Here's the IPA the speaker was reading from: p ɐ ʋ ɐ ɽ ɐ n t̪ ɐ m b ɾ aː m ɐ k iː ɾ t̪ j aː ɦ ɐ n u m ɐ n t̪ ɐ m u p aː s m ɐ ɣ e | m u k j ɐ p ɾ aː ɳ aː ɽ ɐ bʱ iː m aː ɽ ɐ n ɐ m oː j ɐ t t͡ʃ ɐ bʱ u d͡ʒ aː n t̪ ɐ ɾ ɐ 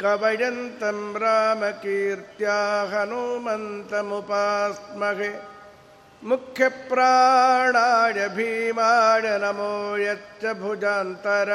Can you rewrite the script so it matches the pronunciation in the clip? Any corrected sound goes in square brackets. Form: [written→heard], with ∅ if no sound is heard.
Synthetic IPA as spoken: [p→k] ɐ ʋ ɐ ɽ ɐ n t̪ ɐ m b ɾ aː m ɐ k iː ɾ t̪ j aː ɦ ɐ n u m ɐ n t̪ ɐ m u p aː s m ɐ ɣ e | m u [k→kʰ] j ɐ p ɾ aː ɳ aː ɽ ɐ bʱ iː m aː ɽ ɐ n ɐ m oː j ɐ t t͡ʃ ɐ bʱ u d͡ʒ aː n t̪ ɐ ɾ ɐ